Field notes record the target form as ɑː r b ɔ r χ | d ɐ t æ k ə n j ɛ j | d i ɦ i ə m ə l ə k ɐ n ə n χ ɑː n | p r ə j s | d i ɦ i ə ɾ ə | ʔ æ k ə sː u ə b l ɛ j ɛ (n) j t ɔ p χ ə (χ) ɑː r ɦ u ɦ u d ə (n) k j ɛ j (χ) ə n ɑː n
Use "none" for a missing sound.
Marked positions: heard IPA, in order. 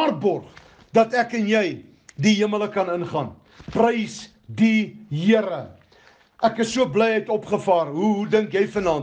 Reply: none, f, ŋ, f

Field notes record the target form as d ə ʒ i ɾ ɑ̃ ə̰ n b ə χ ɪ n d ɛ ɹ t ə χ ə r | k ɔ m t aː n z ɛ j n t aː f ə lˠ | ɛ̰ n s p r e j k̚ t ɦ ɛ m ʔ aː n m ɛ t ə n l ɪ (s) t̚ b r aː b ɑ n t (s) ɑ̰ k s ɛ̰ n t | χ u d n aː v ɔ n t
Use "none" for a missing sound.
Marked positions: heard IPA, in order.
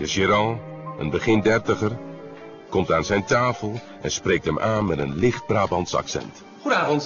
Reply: χ, s

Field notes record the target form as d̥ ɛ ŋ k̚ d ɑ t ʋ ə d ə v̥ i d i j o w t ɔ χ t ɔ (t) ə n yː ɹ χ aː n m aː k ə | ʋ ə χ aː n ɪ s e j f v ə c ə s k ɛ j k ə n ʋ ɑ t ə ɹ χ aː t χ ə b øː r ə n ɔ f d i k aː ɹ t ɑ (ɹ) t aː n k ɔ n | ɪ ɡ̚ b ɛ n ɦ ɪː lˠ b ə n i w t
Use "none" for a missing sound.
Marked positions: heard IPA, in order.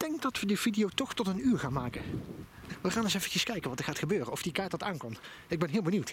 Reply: t, none

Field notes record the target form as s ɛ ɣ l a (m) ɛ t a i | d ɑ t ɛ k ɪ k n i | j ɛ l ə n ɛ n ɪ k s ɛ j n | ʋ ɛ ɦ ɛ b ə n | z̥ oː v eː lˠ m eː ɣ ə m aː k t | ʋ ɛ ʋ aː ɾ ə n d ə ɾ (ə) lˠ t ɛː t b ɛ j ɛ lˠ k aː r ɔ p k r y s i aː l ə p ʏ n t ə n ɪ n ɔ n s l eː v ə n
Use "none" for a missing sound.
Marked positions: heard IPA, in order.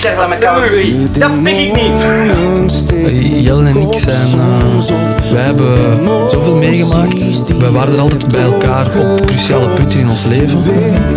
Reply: m, ɑ

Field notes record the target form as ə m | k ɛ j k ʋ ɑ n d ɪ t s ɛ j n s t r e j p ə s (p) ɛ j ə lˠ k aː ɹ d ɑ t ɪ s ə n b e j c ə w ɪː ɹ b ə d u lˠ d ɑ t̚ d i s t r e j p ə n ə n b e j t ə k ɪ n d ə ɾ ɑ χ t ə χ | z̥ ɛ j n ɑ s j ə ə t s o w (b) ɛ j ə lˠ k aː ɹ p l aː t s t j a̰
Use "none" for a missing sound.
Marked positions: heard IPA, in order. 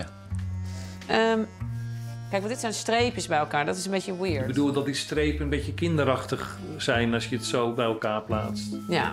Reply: b, b

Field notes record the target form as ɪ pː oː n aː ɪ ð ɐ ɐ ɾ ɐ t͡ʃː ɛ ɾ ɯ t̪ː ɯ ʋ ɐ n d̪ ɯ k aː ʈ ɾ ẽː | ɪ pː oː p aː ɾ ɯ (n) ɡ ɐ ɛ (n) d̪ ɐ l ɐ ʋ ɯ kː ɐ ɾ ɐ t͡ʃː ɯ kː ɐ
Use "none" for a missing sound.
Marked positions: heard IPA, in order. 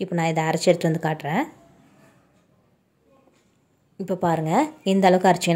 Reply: ŋ, n

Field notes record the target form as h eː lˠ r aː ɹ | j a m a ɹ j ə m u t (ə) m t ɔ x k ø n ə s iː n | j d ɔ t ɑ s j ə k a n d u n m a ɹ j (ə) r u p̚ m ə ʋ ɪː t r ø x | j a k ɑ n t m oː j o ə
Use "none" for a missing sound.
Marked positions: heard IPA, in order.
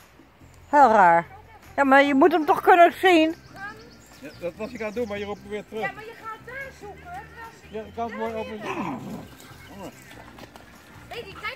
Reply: ə, ə

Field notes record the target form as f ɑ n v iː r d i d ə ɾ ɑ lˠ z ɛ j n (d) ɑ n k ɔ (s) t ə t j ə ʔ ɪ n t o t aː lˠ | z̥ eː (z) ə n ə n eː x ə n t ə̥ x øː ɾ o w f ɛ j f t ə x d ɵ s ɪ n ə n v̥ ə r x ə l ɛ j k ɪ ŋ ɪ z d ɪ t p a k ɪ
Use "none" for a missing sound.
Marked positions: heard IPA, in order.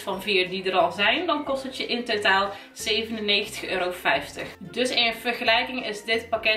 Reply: d, s, v

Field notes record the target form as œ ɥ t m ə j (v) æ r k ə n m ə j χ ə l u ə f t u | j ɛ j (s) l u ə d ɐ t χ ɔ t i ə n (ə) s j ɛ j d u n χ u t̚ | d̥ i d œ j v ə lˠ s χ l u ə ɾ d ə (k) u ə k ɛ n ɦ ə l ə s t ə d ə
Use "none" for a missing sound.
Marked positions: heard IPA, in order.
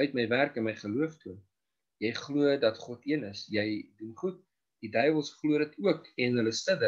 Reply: v, χ, ə, t

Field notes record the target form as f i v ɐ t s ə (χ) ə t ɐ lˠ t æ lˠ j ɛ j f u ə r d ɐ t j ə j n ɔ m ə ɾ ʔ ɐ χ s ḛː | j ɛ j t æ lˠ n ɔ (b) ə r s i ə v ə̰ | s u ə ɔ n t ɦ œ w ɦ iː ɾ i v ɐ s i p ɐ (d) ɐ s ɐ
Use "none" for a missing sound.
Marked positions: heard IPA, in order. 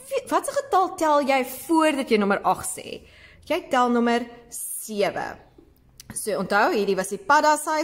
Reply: χ, m, d

